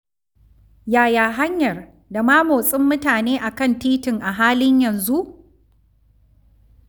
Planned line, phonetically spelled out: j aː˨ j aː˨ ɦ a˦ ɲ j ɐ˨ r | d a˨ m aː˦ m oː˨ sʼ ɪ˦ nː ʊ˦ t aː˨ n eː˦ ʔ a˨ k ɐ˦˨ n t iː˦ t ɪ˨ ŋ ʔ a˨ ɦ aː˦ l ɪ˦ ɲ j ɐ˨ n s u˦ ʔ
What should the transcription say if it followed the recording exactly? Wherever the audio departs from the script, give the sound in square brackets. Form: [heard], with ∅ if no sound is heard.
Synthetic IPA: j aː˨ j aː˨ ɦ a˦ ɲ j ɐ˨ r | d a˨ m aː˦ m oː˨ sʼ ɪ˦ [mː] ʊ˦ t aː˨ n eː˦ ʔ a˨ k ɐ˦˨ n t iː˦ t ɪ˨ ŋ ʔ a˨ ɦ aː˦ l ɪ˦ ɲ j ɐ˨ n [z] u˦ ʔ